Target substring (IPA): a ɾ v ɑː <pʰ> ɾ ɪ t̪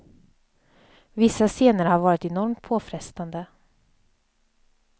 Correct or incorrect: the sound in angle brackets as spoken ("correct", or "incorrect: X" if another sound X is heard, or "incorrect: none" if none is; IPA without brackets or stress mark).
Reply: incorrect: none